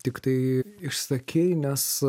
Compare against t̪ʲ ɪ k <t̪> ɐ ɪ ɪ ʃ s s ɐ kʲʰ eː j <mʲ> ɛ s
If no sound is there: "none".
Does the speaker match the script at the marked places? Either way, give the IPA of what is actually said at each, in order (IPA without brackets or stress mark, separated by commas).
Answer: t̪, nʲ